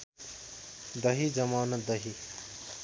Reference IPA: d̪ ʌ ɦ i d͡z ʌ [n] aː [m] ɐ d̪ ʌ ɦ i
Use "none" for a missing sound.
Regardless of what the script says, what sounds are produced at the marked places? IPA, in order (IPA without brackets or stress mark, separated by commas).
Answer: m, n